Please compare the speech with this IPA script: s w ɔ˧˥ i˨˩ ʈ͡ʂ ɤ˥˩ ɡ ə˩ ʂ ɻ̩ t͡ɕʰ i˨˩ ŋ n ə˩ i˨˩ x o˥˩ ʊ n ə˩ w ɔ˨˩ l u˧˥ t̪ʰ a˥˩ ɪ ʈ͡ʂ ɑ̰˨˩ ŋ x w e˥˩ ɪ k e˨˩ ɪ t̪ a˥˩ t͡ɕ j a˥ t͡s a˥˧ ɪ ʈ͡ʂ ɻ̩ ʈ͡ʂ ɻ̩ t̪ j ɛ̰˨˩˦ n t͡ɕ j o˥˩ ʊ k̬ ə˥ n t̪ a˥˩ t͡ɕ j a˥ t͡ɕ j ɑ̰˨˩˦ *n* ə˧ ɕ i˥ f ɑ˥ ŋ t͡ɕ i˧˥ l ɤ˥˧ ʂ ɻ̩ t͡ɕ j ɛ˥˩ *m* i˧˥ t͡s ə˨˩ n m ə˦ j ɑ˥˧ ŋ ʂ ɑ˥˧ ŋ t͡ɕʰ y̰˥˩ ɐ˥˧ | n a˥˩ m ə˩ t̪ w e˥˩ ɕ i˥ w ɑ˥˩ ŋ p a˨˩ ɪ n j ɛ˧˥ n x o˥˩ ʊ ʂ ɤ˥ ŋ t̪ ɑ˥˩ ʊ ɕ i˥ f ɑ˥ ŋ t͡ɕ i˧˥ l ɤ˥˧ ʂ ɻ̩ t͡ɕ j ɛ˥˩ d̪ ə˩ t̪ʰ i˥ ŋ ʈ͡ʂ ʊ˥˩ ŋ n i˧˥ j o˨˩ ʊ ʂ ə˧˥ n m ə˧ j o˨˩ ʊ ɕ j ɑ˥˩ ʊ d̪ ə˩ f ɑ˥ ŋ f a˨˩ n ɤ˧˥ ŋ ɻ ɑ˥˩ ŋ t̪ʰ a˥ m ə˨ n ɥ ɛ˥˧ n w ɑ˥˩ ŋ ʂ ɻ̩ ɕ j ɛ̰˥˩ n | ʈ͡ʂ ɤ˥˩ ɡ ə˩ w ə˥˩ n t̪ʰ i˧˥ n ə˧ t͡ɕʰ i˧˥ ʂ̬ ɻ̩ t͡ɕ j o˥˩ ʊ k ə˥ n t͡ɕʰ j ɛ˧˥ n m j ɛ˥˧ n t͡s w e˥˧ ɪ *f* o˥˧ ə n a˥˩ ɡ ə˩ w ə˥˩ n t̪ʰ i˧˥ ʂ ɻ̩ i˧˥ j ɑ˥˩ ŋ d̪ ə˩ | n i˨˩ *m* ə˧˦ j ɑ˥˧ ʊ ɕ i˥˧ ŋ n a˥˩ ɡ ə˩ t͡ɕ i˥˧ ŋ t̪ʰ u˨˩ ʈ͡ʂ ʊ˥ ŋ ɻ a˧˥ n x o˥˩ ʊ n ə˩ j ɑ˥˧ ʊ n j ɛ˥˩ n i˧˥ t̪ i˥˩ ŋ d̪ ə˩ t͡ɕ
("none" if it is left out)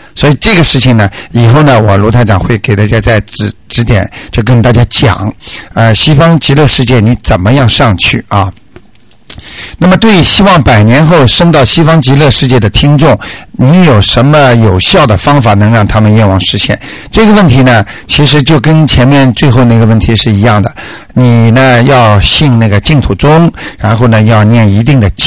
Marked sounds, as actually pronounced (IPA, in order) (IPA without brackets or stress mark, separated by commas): ŋ, n, x, n